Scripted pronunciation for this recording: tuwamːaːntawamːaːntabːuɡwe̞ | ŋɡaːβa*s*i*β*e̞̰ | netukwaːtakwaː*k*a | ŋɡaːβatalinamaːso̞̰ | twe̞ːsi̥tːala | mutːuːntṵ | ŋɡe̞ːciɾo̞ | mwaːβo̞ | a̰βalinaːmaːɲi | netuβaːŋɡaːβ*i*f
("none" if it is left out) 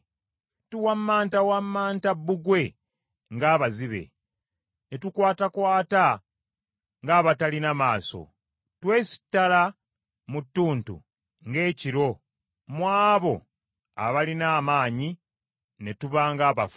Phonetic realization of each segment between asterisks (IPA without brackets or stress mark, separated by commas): z, β, t, a